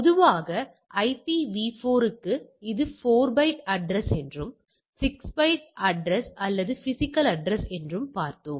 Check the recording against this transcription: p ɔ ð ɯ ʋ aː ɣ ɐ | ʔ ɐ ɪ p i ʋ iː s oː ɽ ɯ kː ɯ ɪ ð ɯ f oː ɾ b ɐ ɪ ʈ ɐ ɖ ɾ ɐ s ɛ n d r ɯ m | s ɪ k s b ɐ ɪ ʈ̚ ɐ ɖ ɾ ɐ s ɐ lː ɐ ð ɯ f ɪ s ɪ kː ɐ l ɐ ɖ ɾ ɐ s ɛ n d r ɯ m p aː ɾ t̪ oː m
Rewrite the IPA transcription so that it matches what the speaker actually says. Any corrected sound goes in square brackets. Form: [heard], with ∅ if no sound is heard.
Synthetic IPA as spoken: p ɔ ð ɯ ʋ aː ɣ ɐ | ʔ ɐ ɪ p i ʋ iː [f] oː [ɾ] ɯ kː ɯ ɪ ð ɯ f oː ɾ b ɐ ɪ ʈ ɐ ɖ ɾ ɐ s ɛ n d r ɯ m | s ɪ k s b ɐ ɪ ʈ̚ ɐ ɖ ɾ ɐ s ɐ lː ɐ ð ɯ f ɪ s ɪ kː ɐ l ɐ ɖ ɾ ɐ s ɛ n d r ɯ m p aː ɾ t̪ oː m